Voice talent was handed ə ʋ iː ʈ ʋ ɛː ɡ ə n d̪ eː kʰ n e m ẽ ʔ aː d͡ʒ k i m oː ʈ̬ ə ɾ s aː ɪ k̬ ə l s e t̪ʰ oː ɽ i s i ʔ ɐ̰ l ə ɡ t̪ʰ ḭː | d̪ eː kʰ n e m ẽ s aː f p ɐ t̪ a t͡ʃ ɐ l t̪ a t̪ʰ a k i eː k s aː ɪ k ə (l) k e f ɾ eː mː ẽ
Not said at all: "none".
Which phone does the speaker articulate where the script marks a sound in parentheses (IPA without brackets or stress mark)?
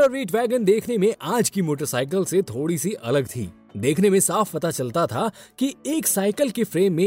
l